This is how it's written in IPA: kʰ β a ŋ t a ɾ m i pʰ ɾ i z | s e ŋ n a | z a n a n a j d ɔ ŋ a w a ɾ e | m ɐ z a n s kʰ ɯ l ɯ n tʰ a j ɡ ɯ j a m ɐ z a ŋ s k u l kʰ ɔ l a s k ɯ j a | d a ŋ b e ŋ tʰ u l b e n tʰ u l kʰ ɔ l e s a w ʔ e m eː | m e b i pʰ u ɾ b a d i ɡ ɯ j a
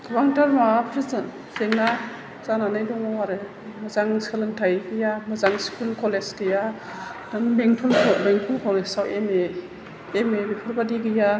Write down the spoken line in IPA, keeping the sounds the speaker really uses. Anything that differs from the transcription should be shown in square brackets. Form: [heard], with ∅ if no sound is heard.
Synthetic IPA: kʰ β a ŋ t a ɾ m [a] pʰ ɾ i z | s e ŋ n a | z a n a n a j d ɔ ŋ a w a ɾ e | m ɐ z a [ŋ] s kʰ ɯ l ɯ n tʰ a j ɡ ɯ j a m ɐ z a ŋ s k u l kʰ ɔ l [e] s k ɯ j a | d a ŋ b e ŋ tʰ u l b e [ŋ] tʰ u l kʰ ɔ l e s a w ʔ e m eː | m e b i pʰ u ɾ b a d i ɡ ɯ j a